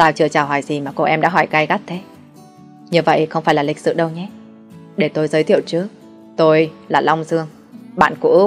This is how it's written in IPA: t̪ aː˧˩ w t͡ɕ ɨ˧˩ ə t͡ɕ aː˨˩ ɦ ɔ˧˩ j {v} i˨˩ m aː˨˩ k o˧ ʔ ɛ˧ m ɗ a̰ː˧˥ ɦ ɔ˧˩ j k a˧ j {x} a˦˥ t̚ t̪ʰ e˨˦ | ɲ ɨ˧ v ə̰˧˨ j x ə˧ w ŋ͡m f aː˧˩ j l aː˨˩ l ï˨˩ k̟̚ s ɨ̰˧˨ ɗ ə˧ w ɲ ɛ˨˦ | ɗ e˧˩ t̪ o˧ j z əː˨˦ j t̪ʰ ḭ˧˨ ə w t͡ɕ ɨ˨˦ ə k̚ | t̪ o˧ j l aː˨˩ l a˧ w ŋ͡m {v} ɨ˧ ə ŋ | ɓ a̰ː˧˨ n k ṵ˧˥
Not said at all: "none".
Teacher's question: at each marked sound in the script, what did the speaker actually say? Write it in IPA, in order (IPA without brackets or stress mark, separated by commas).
z, ɣ, z